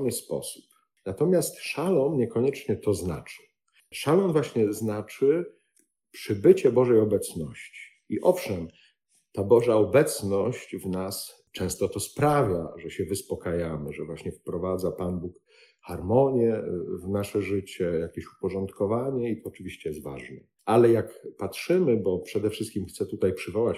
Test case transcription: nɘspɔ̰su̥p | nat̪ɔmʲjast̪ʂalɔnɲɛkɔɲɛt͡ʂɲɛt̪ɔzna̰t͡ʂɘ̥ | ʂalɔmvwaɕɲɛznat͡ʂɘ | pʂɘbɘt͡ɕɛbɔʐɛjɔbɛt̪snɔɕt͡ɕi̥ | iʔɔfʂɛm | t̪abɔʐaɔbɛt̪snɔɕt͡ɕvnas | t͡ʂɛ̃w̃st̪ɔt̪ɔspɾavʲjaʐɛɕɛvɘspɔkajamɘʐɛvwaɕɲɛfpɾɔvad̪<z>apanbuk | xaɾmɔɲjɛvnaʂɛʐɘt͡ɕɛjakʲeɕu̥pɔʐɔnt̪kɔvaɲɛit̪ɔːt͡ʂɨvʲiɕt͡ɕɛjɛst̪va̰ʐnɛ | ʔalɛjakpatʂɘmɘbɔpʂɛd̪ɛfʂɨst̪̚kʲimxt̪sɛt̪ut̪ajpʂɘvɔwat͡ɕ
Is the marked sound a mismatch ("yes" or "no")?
no